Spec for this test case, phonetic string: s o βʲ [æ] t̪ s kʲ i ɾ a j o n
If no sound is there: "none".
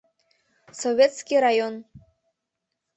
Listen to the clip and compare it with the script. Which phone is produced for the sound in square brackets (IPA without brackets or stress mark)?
e